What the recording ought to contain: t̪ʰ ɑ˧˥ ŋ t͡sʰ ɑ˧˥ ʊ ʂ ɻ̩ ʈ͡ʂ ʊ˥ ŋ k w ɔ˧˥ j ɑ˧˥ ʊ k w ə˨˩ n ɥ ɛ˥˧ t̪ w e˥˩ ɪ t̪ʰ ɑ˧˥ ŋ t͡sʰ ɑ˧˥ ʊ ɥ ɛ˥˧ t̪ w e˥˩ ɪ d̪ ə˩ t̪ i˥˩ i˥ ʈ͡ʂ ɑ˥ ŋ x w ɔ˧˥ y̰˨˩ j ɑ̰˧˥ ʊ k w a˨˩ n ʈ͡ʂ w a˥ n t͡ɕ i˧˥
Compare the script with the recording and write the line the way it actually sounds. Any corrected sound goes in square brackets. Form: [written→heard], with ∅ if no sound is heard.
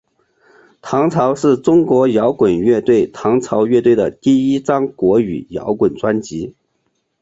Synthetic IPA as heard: t̪ʰ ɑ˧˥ ŋ t͡sʰ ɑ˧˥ ʊ ʂ ɻ̩ ʈ͡ʂ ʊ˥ ŋ k w ɔ˧˥ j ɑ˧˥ ʊ k w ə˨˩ n ɥ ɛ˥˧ t̪ w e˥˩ ɪ t̪ʰ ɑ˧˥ ŋ t͡sʰ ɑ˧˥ ʊ ɥ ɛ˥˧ t̪ w e˥˩ ɪ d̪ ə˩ t̪ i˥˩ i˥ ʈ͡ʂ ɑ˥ ŋ [x→k] w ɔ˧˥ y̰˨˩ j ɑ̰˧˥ ʊ k w [a˨˩→ə˨˩] n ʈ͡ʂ w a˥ n t͡ɕ i˧˥